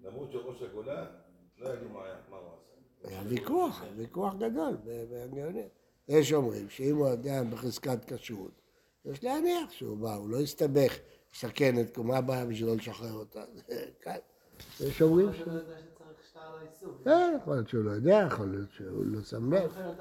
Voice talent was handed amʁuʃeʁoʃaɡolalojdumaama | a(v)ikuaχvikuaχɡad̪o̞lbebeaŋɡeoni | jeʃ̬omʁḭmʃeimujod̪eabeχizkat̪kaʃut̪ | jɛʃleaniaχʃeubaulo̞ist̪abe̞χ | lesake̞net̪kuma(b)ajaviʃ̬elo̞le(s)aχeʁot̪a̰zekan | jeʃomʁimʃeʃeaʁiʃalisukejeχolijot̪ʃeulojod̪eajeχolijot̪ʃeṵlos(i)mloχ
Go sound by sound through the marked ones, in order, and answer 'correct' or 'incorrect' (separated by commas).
correct, correct, incorrect, incorrect